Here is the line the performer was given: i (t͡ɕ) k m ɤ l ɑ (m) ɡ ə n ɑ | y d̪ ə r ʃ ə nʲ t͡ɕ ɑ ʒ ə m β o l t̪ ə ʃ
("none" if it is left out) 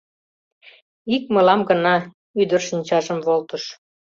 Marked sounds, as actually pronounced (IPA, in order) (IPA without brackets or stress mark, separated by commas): none, m